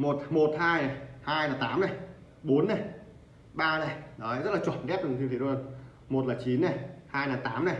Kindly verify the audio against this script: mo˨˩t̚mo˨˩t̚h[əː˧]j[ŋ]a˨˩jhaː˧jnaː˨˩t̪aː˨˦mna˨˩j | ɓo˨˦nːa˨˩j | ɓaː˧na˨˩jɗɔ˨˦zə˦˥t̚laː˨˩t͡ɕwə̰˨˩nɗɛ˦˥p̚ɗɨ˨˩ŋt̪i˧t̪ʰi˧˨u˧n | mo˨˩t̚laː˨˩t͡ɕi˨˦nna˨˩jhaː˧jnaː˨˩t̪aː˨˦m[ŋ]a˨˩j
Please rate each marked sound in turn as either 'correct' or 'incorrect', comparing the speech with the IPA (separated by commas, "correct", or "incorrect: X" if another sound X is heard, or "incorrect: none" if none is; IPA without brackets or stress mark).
incorrect: aː˧, incorrect: n, incorrect: n